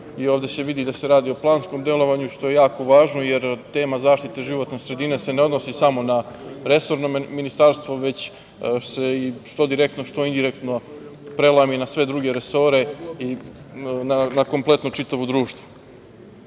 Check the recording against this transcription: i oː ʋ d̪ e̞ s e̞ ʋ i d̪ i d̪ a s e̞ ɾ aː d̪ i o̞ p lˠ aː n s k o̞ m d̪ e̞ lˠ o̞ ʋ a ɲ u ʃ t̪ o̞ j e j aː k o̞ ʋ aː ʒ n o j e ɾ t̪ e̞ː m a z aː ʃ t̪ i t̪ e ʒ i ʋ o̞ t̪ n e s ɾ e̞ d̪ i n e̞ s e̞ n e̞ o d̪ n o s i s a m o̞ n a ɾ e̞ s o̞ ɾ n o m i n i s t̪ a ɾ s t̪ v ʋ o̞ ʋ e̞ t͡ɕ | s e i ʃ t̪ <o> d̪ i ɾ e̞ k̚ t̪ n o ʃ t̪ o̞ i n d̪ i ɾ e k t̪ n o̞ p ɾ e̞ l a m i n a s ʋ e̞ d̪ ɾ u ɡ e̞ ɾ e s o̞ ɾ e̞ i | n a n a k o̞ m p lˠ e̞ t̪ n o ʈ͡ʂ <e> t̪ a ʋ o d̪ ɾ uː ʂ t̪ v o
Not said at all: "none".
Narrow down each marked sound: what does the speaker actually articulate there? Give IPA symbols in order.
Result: o, i

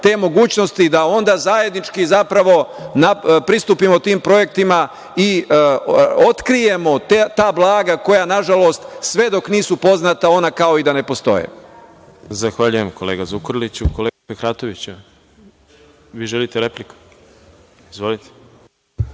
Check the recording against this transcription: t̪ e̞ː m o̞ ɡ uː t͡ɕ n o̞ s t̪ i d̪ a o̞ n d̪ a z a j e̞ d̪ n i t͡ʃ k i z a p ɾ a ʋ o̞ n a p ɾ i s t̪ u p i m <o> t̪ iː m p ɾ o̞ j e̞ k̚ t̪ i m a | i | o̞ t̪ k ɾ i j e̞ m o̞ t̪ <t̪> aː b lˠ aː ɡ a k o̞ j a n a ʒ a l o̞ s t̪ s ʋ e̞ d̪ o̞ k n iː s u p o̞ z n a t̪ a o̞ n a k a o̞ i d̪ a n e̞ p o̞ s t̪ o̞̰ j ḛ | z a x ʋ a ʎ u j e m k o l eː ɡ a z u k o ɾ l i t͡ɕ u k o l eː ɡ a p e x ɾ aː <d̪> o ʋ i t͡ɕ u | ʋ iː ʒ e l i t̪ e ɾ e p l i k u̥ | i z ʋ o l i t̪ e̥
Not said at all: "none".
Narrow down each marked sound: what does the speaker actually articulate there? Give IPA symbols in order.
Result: o, t̪, t̪

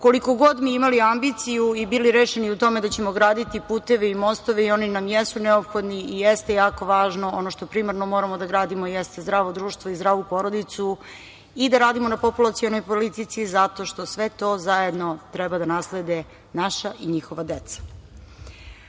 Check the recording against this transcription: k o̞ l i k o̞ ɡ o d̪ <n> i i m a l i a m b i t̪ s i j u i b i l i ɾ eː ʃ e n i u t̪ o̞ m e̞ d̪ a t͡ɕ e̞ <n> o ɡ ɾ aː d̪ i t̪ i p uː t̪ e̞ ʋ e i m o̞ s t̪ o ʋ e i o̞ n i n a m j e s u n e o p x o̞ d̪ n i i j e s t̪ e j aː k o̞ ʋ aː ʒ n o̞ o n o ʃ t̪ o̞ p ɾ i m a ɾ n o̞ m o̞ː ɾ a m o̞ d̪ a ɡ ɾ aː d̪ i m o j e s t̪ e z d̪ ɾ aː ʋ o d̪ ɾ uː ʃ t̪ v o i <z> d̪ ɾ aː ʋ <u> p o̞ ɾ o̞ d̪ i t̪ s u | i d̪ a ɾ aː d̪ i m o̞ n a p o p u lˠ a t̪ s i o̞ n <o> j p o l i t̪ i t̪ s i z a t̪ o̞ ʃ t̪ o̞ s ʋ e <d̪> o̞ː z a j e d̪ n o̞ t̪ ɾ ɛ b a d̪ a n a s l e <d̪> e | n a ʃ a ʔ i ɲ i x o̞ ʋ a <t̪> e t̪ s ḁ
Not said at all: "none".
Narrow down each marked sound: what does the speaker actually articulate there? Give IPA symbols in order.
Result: m, m, z, u, o, t̪, d̪, d̪

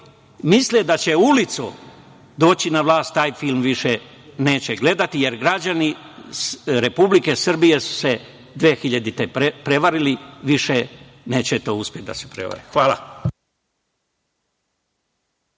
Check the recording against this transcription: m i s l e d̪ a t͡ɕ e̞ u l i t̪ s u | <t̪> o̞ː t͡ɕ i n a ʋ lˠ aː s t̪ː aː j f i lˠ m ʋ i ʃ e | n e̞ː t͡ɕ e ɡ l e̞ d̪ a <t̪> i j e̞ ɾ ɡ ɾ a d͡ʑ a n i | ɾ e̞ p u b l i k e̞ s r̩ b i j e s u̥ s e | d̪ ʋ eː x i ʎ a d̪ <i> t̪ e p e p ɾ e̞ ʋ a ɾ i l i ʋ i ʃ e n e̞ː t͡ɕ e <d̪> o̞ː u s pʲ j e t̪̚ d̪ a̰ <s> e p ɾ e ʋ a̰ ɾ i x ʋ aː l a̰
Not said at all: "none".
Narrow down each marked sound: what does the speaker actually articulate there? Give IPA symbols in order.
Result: d̪, t̪, i, t̪, s

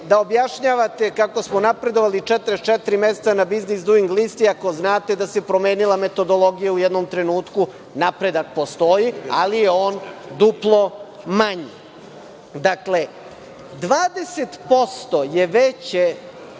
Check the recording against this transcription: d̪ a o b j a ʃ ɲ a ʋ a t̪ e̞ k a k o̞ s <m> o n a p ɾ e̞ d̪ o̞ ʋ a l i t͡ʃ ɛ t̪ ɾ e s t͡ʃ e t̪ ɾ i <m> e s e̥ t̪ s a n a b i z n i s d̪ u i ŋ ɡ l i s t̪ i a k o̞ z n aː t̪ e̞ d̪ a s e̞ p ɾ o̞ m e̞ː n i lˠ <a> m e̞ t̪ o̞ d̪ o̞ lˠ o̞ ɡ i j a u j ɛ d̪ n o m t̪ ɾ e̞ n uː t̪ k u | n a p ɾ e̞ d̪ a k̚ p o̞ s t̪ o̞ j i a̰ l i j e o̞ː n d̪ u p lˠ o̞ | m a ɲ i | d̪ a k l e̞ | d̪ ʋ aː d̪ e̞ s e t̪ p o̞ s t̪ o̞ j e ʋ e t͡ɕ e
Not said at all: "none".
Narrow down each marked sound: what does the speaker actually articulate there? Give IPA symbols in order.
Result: m, m, a

